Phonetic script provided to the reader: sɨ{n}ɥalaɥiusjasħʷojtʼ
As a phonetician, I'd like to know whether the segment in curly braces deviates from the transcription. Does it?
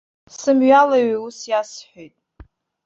yes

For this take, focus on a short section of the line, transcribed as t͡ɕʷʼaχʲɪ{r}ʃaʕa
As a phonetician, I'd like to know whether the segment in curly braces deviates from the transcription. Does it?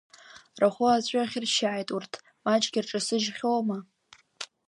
no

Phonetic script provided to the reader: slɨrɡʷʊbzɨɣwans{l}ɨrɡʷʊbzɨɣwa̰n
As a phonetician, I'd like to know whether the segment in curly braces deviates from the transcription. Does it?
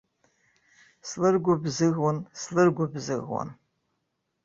no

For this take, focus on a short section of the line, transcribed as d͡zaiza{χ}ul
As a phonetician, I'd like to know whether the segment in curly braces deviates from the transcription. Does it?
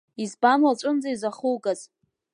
no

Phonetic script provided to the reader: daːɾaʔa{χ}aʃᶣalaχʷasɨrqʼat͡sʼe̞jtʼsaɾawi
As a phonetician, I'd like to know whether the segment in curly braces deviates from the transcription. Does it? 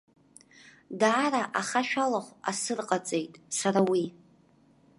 no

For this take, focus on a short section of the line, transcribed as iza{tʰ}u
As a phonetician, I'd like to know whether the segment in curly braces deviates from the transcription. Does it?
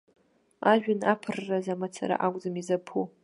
yes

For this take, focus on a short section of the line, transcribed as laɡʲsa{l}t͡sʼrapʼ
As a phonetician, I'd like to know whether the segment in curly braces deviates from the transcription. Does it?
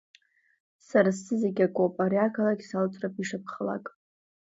no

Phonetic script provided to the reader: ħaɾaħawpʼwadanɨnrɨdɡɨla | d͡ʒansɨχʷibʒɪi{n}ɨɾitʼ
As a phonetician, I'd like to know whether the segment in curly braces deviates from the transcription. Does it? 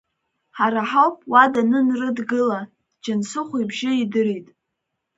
yes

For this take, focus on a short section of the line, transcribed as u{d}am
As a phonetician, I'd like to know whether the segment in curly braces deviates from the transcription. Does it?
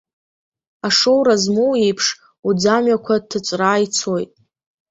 yes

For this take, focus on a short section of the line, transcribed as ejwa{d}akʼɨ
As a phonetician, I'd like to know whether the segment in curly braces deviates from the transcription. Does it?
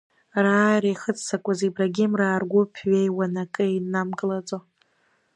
yes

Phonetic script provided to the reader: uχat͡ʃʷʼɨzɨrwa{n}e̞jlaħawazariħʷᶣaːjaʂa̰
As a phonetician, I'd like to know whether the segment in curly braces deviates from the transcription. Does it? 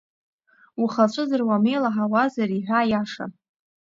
yes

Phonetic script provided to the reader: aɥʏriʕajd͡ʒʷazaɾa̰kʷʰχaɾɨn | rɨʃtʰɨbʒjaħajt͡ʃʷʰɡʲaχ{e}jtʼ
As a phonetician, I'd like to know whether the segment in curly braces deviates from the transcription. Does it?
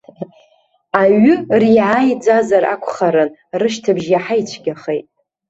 no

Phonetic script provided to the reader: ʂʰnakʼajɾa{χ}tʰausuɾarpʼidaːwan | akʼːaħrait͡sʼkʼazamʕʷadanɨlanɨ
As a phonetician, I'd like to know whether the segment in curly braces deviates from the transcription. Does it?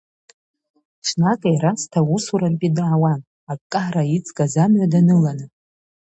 yes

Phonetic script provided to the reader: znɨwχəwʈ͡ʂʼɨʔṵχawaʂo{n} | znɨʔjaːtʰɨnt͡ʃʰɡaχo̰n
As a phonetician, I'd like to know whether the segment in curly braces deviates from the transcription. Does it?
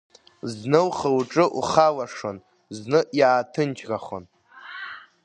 no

